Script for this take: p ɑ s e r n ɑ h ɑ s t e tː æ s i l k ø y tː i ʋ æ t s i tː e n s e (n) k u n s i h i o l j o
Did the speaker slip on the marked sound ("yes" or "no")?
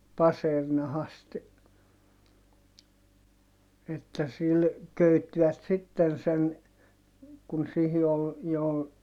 no